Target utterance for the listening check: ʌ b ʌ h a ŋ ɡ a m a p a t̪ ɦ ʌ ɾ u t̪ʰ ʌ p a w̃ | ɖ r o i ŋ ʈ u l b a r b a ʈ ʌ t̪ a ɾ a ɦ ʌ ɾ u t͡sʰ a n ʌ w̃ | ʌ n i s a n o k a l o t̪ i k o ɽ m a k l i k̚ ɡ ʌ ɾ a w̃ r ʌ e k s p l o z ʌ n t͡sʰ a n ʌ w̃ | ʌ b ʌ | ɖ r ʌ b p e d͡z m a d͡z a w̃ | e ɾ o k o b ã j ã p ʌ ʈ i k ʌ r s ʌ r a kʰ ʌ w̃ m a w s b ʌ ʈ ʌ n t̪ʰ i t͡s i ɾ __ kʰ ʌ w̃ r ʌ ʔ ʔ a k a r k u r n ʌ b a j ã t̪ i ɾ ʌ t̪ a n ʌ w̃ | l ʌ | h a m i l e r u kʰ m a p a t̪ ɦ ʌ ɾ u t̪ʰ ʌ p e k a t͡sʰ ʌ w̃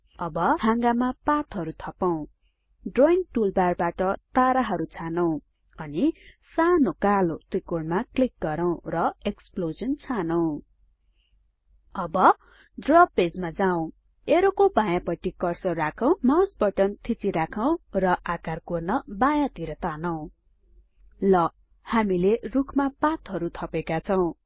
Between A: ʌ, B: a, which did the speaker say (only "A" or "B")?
B